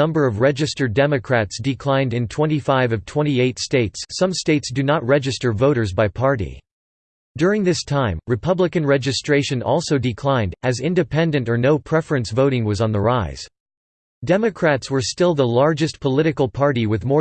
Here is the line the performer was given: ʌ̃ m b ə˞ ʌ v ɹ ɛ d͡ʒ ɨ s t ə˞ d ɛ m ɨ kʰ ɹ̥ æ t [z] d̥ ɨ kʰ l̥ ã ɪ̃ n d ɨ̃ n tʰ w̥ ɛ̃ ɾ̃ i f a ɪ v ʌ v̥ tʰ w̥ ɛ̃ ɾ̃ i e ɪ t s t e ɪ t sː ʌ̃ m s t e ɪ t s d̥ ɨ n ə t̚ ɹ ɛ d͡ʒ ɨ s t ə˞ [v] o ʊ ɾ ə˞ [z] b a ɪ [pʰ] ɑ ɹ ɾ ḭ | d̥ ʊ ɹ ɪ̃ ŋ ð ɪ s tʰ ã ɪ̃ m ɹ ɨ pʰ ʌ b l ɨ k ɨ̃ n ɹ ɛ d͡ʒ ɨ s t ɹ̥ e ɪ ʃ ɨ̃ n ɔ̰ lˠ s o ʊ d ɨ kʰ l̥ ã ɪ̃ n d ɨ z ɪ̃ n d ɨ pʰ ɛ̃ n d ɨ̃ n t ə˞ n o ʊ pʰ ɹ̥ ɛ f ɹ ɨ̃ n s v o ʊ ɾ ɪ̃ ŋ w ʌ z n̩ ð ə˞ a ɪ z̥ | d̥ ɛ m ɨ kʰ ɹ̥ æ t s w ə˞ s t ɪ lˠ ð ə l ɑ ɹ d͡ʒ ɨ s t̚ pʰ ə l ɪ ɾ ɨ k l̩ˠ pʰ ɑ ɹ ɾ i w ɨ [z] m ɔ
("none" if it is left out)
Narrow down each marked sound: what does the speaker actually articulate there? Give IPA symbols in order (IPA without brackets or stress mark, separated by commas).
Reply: s, v, z, pʰ, ð